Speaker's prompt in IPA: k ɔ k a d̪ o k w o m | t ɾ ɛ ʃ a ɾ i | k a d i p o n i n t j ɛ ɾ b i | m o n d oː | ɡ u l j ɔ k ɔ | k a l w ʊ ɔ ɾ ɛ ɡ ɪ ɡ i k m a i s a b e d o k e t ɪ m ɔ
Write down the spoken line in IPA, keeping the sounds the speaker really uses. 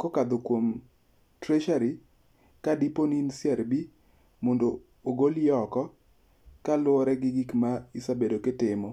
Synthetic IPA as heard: k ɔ k a d̪ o k w o m | t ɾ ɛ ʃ a ɾ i | k a d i p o n i n s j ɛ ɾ b i | m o n d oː | ɡ o l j ɔ k ɔ | k a l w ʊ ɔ ɾ ɛ ɡ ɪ ɡ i k m a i s a b e d o k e t ɪ m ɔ